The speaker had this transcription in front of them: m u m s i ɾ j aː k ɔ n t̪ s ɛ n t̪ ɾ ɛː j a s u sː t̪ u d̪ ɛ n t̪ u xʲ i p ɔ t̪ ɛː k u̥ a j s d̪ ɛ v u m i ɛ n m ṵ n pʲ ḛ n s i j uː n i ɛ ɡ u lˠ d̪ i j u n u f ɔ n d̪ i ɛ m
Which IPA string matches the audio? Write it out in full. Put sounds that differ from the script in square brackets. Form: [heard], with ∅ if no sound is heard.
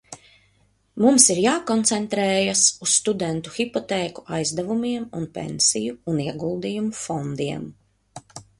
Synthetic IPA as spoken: m u m s i ɾ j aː k ɔ n t̪ s ɛ n t̪ ɾ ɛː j a s u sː t̪ u d̪ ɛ n t̪ u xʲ i p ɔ t̪ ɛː k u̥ a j [z] d̪ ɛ v u m i ɛ [∅] m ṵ n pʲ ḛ n s i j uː n i ɛ ɡ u lˠ d̪ i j u [m] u f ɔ n d̪ i ɛ m

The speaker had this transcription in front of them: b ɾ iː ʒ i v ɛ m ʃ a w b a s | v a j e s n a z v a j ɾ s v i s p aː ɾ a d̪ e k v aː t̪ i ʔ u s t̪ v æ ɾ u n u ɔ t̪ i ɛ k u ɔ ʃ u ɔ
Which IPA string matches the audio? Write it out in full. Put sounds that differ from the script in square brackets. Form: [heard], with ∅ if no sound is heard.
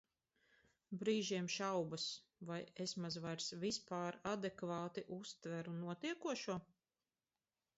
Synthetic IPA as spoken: b ɾ iː ʒ i [∅] ɛ m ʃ a w b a s | v a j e s [m] a z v a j ɾ s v i s p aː ɾ a d̪ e k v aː t̪ i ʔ u s t̪ v æ ɾ u n u ɔ t̪ i ɛ k u ɔ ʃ u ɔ

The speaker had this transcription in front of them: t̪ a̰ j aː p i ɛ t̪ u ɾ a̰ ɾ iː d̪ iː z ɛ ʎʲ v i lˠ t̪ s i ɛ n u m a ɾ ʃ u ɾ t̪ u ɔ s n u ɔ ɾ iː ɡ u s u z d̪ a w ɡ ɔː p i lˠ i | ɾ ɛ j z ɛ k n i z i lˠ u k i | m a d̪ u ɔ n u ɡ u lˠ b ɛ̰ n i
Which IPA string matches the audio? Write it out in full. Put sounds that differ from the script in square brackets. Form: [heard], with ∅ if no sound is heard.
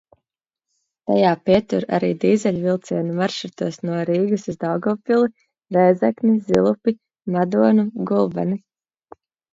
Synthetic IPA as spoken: t̪ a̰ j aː p i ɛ t̪ u ɾ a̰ ɾ iː d̪ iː z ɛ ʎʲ v i lˠ t̪ s i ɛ n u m a ɾ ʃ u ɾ t̪ u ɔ s n u ɔ ɾ iː ɡ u s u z d̪ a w ɡ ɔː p i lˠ i | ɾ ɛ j z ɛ k n i z i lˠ u [p] i | m a d̪ u ɔ n u ɡ u lˠ b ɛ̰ n i

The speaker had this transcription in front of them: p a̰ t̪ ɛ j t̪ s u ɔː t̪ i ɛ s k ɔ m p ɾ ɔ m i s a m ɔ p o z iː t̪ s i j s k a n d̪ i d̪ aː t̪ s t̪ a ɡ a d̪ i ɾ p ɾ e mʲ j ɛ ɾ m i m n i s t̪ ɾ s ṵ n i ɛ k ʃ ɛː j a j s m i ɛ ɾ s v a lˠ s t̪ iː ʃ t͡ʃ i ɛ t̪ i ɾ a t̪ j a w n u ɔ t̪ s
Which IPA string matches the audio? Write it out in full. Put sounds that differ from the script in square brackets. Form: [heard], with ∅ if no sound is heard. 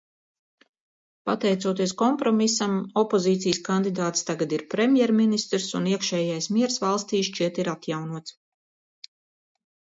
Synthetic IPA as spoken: p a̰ t̪ ɛ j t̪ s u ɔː t̪ i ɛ s k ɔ m p ɾ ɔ m i s a m ɔ p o z iː t̪ s i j s k a n d̪ i d̪ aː t̪ s t̪ a ɡ a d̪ i ɾ p ɾ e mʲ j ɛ ɾ m i [∅] n i s t̪ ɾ s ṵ n i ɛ k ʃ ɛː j a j s m i ɛ ɾ s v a lˠ s t̪ iː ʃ t͡ʃ i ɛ t̪ i ɾ a t̪ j a w n u ɔ t̪ s

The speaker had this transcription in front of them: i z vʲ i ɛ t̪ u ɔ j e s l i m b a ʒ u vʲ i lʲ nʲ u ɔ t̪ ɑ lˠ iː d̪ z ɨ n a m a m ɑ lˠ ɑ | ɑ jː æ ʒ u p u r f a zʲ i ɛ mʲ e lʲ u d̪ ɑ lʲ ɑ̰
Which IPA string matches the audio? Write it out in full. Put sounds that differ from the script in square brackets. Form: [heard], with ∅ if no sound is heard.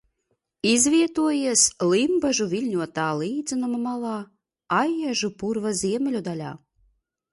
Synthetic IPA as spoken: i z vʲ i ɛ t̪ u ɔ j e s l i m b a ʒ u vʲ i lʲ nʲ u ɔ t̪ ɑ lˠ iː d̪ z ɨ n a m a m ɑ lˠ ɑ | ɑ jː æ ʒ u p u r [v] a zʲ i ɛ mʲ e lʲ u d̪ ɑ lʲ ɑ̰

